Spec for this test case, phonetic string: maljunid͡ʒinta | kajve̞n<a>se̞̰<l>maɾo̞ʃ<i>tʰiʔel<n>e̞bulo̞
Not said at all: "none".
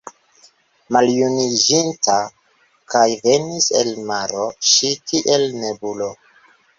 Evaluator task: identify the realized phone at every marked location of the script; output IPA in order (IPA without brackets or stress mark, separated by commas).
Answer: i, l, i, n